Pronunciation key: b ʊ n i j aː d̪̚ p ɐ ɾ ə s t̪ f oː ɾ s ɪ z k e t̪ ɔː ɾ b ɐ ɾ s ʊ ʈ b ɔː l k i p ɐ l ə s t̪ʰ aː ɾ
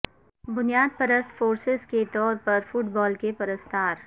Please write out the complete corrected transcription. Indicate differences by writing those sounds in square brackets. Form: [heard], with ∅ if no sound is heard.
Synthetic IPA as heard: b ʊ n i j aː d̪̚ p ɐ ɾ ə s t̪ f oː ɾ s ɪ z k e t̪ ɔː ɾ [p] ɐ ɾ [f] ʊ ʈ b ɔː l k [e] p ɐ [ɾ] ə s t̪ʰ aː ɾ